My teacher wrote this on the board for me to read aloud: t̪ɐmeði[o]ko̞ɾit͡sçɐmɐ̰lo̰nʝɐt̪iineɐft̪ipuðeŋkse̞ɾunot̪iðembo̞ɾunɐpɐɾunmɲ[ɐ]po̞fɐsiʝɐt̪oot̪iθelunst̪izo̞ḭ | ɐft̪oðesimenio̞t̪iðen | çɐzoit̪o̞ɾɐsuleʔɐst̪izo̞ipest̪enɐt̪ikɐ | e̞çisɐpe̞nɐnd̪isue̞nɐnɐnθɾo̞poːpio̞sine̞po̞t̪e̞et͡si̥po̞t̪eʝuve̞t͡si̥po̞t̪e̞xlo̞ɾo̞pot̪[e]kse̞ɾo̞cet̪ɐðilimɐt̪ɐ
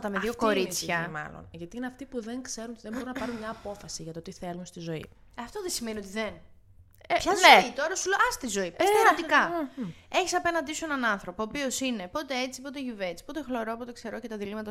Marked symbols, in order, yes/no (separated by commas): yes, no, yes